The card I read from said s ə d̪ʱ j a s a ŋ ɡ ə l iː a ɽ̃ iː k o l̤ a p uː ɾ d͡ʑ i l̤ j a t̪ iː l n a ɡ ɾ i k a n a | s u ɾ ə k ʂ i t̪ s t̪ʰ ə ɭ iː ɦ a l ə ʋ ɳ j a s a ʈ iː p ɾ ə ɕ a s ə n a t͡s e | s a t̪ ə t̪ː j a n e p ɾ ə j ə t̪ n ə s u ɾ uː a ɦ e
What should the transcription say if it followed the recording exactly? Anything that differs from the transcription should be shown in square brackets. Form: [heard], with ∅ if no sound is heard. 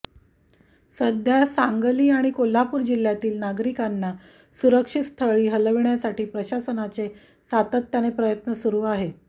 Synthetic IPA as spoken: s ə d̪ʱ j a s a ŋ ɡ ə l iː a ɽ̃ [i] k o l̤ a p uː ɾ d͡ʑ i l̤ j a t̪ iː l n a ɡ ɾ i k a [nː] a | s u ɾ ə k ʂ i t̪ s t̪ʰ ə ɭ iː ɦ [ə] l ə ʋ ɳ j a s a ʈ iː p ɾ ə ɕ a s ə n a t͡s e | s a t̪ ə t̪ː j a n e p ɾ ə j ə t̪ n ə s u ɾ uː a ɦ e